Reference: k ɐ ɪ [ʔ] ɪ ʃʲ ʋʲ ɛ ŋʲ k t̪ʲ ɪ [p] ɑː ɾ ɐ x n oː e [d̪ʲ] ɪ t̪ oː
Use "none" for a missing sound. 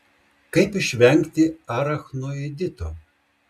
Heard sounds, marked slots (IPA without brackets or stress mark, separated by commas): p, none, d̪ʲ